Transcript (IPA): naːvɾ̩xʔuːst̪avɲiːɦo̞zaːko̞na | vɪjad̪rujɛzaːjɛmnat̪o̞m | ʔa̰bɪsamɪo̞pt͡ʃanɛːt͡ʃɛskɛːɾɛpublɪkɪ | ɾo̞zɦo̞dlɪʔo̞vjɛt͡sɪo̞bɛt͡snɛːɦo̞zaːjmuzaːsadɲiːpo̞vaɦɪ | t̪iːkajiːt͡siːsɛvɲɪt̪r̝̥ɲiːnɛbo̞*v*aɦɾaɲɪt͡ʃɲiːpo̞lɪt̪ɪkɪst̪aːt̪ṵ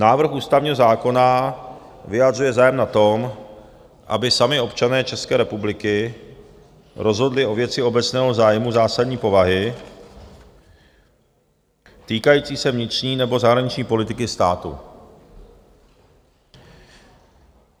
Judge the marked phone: incorrect: z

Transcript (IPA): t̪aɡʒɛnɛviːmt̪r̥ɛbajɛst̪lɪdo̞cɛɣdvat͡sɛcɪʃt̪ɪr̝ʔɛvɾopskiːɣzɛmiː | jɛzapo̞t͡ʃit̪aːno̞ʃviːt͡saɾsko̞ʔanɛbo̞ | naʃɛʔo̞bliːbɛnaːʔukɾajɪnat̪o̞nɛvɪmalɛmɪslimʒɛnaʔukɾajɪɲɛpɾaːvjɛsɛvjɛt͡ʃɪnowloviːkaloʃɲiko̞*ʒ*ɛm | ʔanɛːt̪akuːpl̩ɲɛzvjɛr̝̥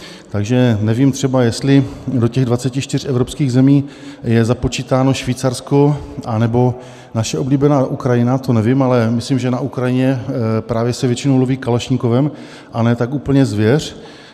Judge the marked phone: incorrect: v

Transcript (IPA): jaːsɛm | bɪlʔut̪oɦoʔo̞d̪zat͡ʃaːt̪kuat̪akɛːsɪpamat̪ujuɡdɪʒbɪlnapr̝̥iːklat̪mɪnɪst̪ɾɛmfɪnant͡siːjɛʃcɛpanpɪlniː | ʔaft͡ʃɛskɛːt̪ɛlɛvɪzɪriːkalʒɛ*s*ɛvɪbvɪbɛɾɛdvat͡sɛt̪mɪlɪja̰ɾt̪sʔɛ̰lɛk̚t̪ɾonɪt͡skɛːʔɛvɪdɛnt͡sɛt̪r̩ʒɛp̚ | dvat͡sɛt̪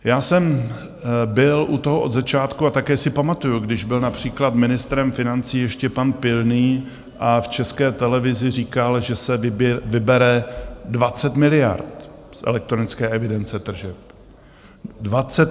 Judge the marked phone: correct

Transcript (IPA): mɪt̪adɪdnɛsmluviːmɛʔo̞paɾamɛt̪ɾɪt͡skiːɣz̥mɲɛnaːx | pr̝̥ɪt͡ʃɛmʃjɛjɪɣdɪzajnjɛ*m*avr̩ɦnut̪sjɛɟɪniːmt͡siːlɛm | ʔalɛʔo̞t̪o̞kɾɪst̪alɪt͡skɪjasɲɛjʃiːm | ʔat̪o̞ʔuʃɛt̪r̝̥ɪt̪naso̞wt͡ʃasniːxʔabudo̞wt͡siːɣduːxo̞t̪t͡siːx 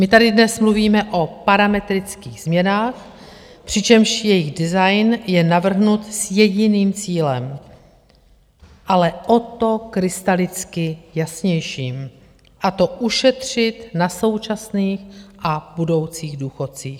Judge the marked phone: incorrect: n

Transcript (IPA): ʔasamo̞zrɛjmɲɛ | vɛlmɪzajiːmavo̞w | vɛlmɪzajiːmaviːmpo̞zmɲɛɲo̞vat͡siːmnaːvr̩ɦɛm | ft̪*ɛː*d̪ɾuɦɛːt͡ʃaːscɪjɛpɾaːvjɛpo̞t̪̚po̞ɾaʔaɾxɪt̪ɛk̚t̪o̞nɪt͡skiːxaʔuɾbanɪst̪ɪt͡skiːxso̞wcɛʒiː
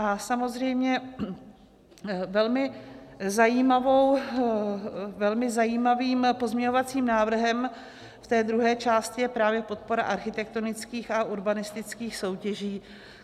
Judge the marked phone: correct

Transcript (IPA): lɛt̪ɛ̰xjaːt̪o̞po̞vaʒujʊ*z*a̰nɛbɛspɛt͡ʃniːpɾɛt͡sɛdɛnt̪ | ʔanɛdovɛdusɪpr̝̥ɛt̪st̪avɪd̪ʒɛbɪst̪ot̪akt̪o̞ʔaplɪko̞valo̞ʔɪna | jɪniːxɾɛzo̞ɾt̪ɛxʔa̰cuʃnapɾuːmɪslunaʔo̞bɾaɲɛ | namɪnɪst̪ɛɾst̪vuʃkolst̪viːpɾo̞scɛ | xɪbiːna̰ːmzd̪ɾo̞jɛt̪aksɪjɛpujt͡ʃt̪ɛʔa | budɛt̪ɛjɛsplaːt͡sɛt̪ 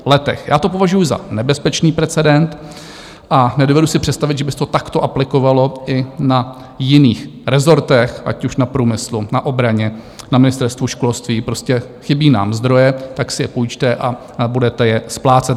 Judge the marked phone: correct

